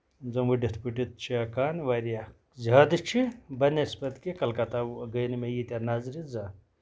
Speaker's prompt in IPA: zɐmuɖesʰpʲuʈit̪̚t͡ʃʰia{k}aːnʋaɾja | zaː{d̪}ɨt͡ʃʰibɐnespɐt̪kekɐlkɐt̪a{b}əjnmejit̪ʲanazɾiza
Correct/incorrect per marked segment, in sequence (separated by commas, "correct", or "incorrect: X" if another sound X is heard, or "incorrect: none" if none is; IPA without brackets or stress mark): correct, correct, incorrect: ɡ